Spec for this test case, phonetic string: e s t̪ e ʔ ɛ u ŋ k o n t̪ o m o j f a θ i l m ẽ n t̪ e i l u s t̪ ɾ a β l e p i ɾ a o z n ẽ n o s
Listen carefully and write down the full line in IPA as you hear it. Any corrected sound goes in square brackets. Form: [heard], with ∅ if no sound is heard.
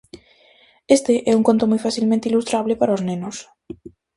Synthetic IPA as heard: e s t̪ e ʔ ɛ u ŋ k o n t̪ o m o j f a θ i l m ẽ n t̪ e i l u s t̪ ɾ a β l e p [a] ɾ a o z n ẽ n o s